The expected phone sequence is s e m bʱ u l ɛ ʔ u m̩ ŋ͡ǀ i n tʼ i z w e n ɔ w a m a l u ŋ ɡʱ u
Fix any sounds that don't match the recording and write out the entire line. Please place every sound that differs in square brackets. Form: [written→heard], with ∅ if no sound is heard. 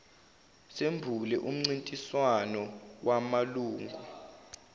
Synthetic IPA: s e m bʱ u l ɛ ʔ u m̩ ŋ͡ǀ i n tʼ i [z→s] w [e→a] n ɔ w a m a l [u→uː] ŋ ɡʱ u